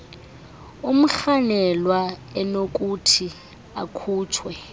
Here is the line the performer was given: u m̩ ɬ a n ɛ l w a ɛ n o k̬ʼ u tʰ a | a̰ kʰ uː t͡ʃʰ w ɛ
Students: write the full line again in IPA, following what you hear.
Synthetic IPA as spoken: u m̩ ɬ a n ɛ l w a ɛ n o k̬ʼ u tʰ i | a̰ kʰ uː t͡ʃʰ w ɛ